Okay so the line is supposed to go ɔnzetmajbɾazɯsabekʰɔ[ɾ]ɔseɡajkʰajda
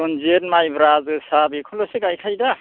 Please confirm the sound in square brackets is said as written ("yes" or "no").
no